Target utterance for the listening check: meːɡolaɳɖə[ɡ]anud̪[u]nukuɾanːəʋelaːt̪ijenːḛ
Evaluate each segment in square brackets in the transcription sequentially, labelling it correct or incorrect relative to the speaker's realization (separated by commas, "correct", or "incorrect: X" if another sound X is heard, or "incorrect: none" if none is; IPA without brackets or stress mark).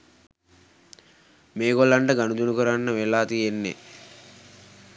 correct, correct